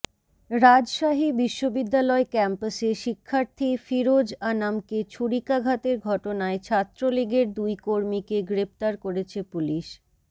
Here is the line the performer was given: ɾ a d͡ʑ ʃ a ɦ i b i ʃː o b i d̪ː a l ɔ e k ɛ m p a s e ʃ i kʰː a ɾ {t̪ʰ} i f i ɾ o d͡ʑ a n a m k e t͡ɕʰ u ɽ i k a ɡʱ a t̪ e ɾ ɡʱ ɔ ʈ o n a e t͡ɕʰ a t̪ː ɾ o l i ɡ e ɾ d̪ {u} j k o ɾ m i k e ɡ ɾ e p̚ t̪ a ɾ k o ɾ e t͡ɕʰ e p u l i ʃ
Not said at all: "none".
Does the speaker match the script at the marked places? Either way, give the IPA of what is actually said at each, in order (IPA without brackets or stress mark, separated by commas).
t̪ʰ, u